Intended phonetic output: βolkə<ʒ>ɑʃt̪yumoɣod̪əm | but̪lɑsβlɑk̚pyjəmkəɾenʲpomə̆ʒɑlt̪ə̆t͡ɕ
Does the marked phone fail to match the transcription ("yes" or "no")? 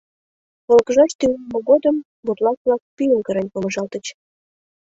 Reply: no